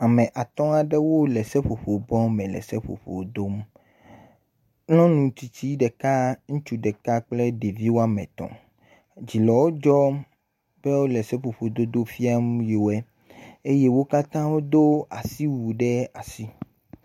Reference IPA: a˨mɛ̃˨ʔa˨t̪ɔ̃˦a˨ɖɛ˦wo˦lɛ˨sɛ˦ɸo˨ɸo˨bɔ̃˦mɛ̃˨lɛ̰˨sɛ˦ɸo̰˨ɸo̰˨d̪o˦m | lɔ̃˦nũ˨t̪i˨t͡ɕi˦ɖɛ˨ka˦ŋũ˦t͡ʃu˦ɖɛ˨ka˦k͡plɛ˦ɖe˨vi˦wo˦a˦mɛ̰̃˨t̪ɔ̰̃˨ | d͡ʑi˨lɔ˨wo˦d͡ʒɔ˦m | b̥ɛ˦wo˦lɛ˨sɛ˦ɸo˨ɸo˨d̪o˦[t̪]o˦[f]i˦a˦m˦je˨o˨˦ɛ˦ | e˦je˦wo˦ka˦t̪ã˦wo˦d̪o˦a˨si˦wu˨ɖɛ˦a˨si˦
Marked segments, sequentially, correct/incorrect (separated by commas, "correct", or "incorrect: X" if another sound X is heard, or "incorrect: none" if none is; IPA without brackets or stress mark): incorrect: d̪, correct